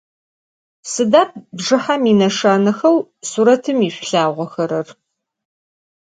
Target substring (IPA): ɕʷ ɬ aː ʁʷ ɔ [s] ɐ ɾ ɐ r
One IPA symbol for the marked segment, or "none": x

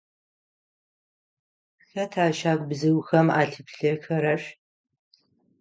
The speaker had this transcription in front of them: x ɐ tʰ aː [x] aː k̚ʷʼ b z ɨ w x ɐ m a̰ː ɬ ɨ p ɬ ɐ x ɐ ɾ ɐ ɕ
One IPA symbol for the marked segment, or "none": ʃ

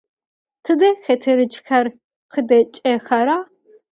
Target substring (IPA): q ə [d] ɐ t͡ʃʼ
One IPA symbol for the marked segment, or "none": d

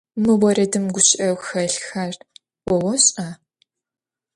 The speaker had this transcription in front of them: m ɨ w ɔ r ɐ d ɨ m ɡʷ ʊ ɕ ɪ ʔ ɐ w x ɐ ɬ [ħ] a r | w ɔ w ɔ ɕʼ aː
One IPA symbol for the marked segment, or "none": x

